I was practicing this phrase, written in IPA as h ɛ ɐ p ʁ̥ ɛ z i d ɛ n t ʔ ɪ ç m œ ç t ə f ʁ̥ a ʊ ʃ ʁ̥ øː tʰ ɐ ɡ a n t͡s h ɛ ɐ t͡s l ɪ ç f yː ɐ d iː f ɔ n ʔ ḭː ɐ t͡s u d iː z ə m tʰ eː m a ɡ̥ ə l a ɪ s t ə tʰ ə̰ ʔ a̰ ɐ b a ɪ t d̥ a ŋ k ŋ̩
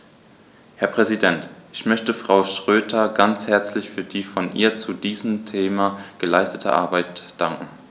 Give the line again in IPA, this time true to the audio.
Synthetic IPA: h ɛ ɐ p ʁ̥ ɛ z i d ɛ n t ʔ ɪ ç m œ ç t ə f ʁ̥ a ʊ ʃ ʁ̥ øː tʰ ɐ ɡ a n t͡s h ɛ ɐ t͡s l ɪ ç f yː ɐ d iː f ɔ n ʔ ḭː ɐ t͡s u d iː z ə m tʰ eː m a ɡ̥ ə l a ɪ s t ə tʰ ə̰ ʔ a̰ ɐ b a ɪ t d̥ a ŋ k ŋ̩